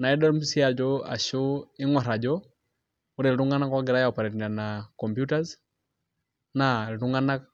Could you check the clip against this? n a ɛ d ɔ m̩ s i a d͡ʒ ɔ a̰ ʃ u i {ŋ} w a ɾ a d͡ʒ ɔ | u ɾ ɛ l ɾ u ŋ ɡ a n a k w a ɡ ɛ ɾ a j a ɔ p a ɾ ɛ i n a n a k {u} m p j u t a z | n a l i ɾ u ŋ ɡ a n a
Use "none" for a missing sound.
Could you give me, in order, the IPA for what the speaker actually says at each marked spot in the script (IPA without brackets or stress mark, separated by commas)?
ŋ, ɔ